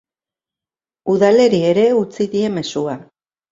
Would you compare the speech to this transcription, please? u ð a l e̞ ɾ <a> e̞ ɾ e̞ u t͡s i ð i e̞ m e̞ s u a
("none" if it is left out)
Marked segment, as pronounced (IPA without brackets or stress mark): i